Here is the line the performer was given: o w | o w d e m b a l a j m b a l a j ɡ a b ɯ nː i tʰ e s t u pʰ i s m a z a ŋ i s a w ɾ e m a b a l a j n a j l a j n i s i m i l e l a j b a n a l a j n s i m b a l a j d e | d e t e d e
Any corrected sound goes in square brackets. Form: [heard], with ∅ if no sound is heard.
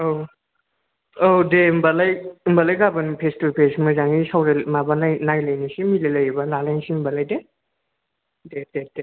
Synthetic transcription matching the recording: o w | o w d e m b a l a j m b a l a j ɡ a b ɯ [n] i [pʰ] e s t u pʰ [e] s m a z a ŋ i s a w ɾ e m a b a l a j n a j l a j n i s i m i l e l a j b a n a l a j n s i m b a l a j d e | d e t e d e

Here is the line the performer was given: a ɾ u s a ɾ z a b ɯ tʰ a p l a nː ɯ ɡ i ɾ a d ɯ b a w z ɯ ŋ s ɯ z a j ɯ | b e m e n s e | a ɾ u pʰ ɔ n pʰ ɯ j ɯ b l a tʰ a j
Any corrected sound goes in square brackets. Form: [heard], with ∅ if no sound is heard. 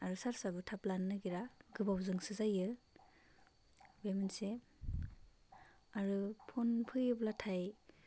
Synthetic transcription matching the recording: a ɾ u s a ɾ [s] a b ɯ tʰ a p l a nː ɯ ɡ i ɾ a [ɡ] ɯ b a w z ɯ ŋ s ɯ z a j ɯ | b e m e n s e | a ɾ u pʰ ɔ n pʰ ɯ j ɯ b l a tʰ a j

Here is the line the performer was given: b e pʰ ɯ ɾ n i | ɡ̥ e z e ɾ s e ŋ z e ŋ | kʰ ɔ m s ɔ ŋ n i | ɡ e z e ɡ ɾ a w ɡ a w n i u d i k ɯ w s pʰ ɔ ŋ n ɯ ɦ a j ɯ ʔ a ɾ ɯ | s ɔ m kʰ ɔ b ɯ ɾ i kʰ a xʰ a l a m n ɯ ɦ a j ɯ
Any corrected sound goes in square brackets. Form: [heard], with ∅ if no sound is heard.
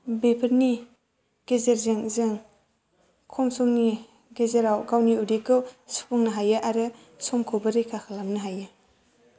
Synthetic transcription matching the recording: b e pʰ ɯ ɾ n i | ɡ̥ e z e ɾ [z] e ŋ z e ŋ | kʰ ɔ m s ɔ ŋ n i | ɡ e z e [∅] ɾ a w ɡ a w n i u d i k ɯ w s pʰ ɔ ŋ n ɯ ɦ a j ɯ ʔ a ɾ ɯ | s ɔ m kʰ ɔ b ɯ ɾ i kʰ a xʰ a l a m n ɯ ɦ a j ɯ

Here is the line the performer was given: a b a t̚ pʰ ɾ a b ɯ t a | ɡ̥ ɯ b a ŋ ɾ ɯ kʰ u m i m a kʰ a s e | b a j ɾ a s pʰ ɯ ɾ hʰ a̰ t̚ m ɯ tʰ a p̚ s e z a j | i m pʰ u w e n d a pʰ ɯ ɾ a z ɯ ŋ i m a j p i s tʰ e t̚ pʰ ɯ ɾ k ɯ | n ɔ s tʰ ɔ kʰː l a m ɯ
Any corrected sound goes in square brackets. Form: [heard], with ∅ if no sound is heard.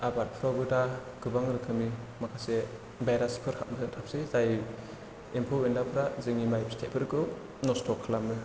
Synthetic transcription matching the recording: a b a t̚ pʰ ɾ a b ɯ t a | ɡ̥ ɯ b a ŋ ɾ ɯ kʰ [ɯ] m i m a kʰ a s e | b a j ɾ a s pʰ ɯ ɾ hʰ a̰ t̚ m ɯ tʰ a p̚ s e z a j | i m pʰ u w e n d a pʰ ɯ ɾ a z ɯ ŋ i m a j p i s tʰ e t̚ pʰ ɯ ɾ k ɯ | n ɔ s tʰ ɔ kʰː l a m ɯ

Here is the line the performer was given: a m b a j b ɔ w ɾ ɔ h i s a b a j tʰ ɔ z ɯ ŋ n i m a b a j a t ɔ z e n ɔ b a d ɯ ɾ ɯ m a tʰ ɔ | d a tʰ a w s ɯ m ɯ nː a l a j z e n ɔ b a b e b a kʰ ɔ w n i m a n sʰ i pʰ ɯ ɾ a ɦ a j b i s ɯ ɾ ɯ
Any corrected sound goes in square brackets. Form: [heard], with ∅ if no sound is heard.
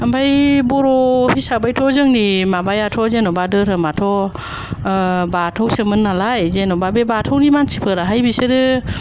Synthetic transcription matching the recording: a m b a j b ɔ [∅] ɾ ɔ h i s a b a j tʰ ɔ z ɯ ŋ n i m a b a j a [tʰ] ɔ z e n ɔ b a d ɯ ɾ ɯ m a tʰ ɔ | [b] a tʰ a w s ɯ m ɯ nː a l a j z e n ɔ b a b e b a [tʰ] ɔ w n i m a n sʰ i pʰ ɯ ɾ a ɦ a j b i s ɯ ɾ ɯ

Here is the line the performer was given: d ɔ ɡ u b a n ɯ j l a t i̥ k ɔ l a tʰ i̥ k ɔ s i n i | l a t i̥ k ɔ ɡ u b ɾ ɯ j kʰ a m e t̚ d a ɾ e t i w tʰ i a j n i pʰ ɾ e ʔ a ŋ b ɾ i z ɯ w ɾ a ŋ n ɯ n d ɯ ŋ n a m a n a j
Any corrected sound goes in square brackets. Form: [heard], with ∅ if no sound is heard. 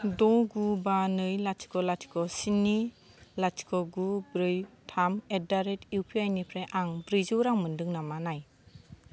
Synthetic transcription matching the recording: d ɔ ɡ u b a n ɯ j l a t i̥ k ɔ l a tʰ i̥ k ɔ s i n i | l a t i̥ k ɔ ɡ u b ɾ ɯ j [tʰ] a m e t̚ d a ɾ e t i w [pʰ] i a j n i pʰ ɾ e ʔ a ŋ b ɾ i z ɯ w ɾ a ŋ [m] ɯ n d ɯ ŋ n a m a n a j

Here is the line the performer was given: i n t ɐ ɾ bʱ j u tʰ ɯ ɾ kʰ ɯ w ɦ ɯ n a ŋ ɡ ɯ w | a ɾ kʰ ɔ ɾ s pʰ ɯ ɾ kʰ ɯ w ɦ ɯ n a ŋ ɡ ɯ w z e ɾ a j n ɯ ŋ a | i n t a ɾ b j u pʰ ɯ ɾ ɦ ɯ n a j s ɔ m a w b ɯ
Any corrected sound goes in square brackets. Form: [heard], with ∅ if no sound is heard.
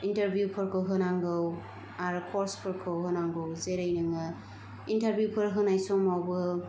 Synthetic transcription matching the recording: i n t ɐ ɾ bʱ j u [pʰ] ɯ ɾ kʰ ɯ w ɦ ɯ n a ŋ ɡ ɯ w | a ɾ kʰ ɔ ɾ s pʰ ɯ ɾ kʰ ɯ w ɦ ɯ n a ŋ ɡ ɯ w z e ɾ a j n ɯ ŋ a | i n t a ɾ b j u pʰ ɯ ɾ ɦ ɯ n a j s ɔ m a w b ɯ

